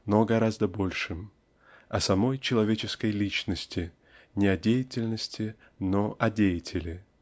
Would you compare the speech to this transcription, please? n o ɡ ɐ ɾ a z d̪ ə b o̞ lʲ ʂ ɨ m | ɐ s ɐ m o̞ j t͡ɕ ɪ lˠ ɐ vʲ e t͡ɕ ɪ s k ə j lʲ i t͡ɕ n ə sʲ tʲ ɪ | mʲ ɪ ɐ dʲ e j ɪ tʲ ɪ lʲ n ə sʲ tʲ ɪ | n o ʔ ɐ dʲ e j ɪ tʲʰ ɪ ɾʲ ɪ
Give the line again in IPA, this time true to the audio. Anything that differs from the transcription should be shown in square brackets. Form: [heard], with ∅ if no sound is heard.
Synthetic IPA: n o ɡ ɐ ɾ a z d̪ ə b o̞ lʲ ʂ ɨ m | ɐ s ɐ m o̞ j t͡ɕ ɪ lˠ ɐ vʲ e t͡ɕ ɪ s k ə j lʲ i t͡ɕ n ə sʲ tʲ ɪ | [nʲ] ɪ ɐ dʲ e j ɪ tʲ ɪ lʲ n ə sʲ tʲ ɪ | n o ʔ ɐ dʲ e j ɪ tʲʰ ɪ [lʲ] ɪ